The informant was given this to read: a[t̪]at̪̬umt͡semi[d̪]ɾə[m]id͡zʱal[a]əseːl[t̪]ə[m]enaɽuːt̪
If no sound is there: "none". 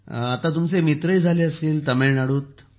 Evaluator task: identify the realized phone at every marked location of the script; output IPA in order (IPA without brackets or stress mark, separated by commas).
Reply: t̪, t̪, none, e, t̪, m